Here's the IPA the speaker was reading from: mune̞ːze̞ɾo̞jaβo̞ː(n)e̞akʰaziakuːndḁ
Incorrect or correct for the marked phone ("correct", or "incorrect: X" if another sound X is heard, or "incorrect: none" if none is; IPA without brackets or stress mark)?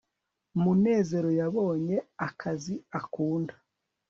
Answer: incorrect: ɲ